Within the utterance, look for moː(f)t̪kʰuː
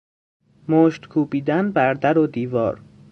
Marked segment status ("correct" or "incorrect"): incorrect